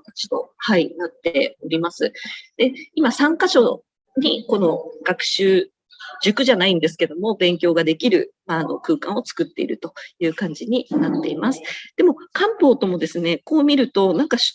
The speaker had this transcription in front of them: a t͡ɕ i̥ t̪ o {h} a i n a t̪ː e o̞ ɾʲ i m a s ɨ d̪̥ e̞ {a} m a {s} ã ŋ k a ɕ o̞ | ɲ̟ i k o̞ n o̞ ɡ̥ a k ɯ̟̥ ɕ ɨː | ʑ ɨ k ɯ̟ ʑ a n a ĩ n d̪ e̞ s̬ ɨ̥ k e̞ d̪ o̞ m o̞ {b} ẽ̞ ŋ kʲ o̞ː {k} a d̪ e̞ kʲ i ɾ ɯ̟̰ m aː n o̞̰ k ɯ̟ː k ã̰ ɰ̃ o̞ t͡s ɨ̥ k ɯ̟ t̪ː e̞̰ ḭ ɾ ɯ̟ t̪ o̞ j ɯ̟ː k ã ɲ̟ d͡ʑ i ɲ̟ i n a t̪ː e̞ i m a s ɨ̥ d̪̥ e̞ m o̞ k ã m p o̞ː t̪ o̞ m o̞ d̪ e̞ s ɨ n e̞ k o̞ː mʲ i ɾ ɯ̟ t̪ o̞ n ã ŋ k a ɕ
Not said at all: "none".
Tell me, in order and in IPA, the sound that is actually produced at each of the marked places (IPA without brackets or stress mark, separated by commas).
h, i, s, b, ɡ